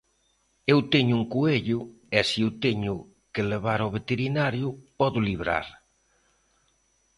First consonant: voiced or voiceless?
voiced